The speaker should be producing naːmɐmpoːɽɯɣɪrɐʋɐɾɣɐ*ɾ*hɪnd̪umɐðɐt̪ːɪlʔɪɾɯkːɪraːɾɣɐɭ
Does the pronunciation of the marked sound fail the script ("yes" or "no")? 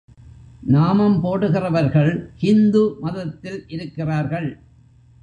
yes